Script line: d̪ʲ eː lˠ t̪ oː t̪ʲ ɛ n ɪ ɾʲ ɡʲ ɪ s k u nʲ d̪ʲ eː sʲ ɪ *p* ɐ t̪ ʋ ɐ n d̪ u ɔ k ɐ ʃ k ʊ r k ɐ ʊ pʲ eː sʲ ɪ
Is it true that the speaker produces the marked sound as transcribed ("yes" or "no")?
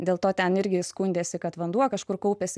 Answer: no